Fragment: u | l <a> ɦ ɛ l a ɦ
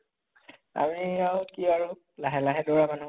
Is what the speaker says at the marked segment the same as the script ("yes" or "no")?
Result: yes